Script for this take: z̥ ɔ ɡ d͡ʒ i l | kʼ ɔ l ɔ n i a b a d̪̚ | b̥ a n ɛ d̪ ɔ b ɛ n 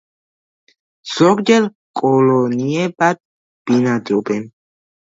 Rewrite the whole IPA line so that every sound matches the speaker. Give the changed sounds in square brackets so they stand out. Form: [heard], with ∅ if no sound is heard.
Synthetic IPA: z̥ ɔ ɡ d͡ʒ [ɛ] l | kʼ ɔ l ɔ n i [ɛ] b a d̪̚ | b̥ [i] n [a] d̪ ɔ b ɛ n